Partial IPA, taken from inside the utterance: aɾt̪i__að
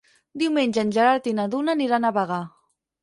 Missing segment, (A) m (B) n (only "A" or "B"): B